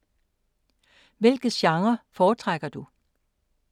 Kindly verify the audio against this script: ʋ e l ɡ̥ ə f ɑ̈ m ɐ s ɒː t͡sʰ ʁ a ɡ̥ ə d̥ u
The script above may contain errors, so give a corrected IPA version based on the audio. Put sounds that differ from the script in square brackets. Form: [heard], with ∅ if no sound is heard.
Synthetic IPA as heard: ʋ e l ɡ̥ ə [ɕ] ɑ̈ [ŋ] ɐ [f] ɒː t͡sʰ ʁ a ɡ̥ [ɐ] d̥ u